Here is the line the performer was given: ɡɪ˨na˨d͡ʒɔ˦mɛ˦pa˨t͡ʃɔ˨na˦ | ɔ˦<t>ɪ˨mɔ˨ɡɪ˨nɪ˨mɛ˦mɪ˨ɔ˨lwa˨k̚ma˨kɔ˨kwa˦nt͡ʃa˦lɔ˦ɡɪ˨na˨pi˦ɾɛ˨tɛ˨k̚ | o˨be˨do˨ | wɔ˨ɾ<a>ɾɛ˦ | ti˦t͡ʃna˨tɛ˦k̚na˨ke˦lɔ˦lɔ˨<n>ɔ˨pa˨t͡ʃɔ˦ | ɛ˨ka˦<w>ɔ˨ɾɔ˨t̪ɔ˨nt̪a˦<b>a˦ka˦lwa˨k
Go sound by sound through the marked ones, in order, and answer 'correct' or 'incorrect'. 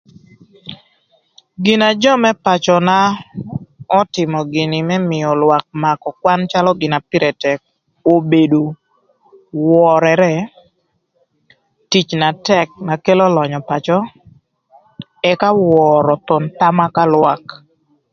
correct, incorrect, incorrect, correct, incorrect

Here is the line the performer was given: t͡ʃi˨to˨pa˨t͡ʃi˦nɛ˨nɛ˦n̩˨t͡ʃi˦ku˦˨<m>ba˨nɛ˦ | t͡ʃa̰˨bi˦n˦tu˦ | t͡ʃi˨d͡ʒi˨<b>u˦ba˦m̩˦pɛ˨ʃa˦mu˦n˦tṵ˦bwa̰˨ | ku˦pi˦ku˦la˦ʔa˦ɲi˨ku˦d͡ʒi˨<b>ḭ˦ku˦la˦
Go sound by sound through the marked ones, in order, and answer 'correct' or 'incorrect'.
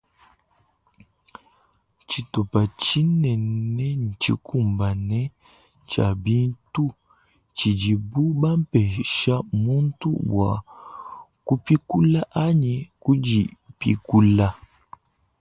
correct, correct, incorrect

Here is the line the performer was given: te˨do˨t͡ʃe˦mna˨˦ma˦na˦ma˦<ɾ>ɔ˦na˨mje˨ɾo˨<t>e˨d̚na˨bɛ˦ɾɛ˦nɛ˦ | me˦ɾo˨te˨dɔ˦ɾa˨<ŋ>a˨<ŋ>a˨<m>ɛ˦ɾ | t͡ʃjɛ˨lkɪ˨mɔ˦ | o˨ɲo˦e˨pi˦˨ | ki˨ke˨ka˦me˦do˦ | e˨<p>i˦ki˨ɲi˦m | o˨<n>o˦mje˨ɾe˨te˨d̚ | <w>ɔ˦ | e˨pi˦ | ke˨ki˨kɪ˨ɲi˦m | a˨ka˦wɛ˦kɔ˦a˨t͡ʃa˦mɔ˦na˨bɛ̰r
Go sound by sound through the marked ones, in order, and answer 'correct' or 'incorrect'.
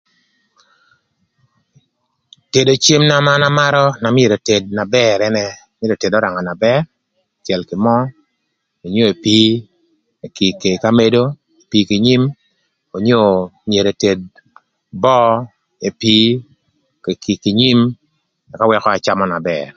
correct, correct, correct, incorrect, incorrect, correct, incorrect, incorrect

